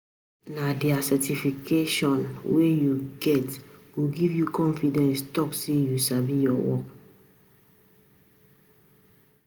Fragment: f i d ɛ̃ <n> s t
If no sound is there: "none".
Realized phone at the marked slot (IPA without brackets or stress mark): n